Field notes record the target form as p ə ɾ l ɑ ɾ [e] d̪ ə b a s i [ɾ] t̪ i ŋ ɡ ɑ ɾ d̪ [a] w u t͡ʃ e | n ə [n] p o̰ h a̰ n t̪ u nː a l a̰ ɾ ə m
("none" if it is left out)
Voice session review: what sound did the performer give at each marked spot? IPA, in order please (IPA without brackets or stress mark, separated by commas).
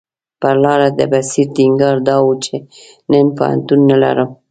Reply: a, ɾ, ɑ, n